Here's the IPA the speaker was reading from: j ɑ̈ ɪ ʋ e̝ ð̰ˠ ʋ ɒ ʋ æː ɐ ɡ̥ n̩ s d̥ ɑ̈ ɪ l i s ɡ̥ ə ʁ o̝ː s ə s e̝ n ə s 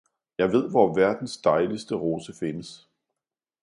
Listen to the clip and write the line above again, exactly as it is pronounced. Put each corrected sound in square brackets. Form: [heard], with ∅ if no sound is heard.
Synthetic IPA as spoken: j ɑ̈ ɪ ʋ e̝ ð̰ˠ ʋ ɒ ʋ [æ] ɐ [d̥] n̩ s d̥ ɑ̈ ɪ l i s [d̥] ə ʁ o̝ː s ə [f] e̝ n ə s